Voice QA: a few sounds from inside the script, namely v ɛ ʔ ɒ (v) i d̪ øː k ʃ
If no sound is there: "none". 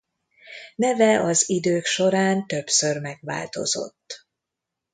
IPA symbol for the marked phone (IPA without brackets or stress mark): z